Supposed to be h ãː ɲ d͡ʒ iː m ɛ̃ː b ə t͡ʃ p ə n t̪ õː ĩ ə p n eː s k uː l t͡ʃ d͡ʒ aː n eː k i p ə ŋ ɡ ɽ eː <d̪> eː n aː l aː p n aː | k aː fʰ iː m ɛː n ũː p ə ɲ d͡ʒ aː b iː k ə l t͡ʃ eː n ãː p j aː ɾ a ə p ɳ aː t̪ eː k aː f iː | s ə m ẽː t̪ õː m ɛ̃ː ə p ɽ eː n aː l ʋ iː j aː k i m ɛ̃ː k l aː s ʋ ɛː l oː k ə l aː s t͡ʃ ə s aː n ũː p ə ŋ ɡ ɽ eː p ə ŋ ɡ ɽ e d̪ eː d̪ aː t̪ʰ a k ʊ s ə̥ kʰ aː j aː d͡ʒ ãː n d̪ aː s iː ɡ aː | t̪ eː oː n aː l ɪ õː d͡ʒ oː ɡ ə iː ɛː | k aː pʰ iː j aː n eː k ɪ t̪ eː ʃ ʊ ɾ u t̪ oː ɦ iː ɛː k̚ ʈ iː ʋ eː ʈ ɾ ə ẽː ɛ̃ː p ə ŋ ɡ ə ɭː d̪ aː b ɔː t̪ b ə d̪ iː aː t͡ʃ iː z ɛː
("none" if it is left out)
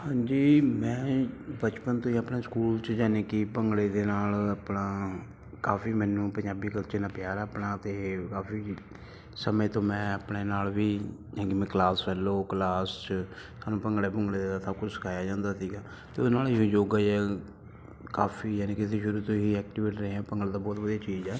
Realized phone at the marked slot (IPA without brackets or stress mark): d̪